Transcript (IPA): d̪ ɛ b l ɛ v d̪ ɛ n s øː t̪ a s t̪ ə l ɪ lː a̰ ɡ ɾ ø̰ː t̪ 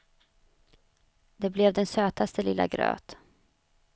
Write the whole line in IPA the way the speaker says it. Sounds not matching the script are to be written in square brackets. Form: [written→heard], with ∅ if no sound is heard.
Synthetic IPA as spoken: d̪ ɛ b l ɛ v d̪ ɛ n s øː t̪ a s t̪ ə l ɪ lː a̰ ɡ ɾ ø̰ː t̪